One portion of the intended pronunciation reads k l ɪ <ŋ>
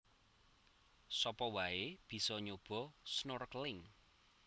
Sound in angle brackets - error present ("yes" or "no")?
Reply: no